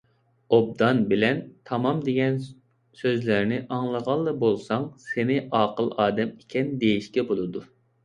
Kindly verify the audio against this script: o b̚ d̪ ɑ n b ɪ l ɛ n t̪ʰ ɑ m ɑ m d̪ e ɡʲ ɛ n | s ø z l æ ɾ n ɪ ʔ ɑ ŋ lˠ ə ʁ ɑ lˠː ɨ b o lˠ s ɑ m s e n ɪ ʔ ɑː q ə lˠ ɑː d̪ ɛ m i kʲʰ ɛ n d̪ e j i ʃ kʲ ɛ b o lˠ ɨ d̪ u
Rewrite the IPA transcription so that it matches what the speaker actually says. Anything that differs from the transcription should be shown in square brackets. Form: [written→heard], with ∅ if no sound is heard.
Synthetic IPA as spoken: o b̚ d̪ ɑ n b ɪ l ɛ n t̪ʰ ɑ m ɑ m d̪ e ɡʲ ɛ n | s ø z l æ ɾ n ɪ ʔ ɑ ŋ lˠ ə ʁ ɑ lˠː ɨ b o lˠ s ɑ [m→ŋ] s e n ɪ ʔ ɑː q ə lˠ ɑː d̪ ɛ m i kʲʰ ɛ n d̪ e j i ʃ kʲ ɛ b o lˠ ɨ d̪ u